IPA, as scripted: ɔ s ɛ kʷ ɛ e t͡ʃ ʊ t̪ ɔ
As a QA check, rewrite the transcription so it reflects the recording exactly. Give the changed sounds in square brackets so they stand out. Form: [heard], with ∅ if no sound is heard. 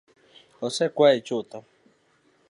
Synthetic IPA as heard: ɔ s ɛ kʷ [a] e t͡ʃ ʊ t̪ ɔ